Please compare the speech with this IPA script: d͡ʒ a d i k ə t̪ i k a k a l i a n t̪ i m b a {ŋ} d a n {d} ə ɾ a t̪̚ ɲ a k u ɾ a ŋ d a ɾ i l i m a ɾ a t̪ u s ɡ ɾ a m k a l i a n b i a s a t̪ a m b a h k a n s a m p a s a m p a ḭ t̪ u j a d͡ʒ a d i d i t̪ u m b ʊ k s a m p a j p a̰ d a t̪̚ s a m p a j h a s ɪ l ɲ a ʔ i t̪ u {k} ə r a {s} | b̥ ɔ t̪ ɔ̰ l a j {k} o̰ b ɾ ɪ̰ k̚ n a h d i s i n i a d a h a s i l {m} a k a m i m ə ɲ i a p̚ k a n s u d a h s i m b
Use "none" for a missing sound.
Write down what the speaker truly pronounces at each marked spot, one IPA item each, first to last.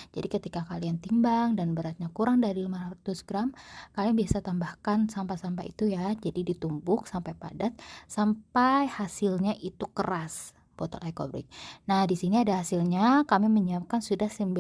ŋ, b, k, s, k, ɲ

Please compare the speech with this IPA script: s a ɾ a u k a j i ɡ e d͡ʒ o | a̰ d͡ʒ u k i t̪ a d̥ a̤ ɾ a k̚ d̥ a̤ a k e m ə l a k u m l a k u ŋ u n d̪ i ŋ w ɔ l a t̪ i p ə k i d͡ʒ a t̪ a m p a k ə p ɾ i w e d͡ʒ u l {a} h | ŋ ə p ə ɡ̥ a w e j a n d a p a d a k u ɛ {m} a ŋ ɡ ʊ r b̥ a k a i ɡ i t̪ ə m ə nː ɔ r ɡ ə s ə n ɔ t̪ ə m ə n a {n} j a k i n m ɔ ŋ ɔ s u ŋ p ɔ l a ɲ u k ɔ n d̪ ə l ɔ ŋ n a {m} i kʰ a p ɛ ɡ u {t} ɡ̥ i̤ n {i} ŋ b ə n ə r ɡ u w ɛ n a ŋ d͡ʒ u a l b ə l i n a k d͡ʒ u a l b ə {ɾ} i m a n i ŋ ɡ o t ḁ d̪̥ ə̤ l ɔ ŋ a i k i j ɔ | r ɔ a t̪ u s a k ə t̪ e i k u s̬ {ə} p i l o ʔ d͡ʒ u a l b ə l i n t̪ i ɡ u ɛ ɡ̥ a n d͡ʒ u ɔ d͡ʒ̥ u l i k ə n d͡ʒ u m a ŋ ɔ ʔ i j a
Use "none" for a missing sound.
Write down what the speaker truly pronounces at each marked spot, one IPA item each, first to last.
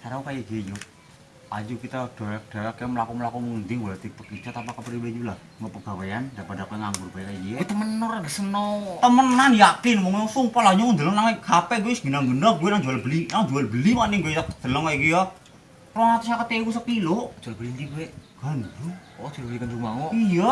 a, ŋ, n, ŋ, s, a, l, ə

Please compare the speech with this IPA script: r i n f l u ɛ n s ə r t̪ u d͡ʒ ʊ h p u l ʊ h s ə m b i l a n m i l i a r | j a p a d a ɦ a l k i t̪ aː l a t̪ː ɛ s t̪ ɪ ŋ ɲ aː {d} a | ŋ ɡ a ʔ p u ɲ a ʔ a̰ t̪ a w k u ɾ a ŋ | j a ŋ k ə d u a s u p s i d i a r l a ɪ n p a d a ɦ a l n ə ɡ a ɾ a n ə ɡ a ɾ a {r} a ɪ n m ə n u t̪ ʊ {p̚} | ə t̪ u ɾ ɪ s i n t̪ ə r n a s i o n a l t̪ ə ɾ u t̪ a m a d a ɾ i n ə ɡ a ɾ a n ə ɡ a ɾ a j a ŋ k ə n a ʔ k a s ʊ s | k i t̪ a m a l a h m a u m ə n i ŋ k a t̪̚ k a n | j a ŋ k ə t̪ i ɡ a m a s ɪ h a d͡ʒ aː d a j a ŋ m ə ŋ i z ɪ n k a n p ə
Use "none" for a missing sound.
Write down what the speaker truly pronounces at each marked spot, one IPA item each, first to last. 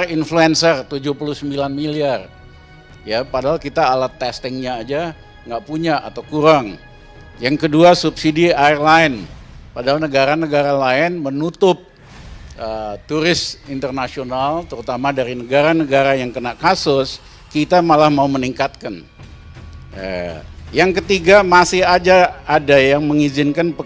d͡ʒ, l, p̚

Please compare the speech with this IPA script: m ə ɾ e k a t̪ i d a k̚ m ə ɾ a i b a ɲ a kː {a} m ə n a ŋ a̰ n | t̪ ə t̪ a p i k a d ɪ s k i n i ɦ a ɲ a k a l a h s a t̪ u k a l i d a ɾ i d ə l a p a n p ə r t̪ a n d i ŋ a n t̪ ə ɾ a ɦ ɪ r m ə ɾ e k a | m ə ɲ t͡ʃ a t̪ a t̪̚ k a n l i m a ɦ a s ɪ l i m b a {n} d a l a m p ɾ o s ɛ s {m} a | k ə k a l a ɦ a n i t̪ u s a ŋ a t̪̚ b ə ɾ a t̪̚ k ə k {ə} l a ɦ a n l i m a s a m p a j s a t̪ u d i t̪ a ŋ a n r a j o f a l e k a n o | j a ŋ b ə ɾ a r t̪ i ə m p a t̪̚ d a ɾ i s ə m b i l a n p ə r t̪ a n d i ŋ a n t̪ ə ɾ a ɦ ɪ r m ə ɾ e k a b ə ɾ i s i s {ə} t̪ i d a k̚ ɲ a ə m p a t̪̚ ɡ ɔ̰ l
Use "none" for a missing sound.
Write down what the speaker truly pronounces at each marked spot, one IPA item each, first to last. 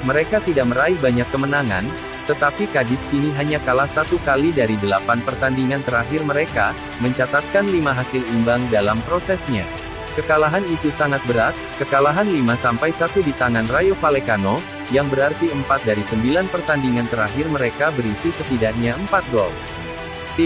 ə, ŋ, ɲ, a, ə

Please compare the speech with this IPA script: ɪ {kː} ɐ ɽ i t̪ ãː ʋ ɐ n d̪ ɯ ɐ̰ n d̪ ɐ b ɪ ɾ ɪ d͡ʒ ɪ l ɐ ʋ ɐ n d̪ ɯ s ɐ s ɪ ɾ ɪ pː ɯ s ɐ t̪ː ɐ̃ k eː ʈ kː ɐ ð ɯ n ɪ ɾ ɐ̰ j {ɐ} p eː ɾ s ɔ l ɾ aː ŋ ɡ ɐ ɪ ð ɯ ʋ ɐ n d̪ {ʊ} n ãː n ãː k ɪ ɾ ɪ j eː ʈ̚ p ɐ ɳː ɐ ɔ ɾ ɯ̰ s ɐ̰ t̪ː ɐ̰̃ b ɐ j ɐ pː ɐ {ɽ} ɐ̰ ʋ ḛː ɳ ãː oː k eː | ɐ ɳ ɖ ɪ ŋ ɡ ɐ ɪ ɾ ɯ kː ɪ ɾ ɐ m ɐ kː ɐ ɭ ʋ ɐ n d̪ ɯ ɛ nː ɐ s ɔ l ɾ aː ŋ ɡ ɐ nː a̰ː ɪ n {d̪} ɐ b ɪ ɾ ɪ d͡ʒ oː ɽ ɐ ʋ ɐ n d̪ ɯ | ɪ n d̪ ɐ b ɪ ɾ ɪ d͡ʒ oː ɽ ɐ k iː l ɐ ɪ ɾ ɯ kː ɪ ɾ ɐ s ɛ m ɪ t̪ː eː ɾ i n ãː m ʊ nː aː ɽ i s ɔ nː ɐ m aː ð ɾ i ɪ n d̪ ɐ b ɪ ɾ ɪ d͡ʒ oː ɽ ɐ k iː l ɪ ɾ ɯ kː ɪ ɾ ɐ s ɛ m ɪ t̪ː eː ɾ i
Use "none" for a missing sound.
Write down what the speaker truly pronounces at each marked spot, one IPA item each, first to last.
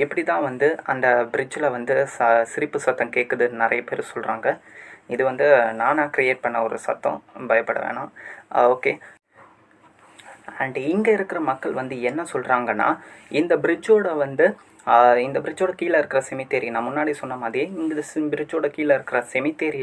pː, ɐ, ɯ, ɽ, d̪

